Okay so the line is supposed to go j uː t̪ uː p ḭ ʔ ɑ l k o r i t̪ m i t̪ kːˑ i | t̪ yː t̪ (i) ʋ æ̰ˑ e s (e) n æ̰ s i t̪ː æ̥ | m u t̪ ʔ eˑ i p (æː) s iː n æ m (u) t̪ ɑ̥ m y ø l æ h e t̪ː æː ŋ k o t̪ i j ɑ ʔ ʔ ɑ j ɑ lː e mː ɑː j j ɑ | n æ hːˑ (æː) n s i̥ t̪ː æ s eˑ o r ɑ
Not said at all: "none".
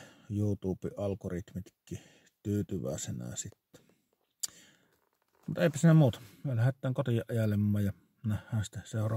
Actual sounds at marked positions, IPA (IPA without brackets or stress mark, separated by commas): y, e, æ, uː, æː